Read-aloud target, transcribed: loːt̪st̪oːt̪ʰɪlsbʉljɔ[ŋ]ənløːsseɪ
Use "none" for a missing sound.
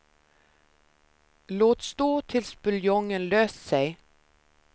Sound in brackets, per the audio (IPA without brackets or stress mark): ŋ